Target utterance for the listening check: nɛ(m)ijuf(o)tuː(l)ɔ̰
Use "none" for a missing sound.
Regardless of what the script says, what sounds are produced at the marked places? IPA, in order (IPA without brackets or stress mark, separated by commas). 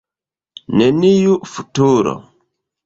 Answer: n, u, ɾ